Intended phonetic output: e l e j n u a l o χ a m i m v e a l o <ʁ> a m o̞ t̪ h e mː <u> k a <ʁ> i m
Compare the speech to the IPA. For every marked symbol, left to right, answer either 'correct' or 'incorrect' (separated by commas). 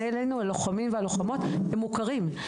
incorrect, correct, correct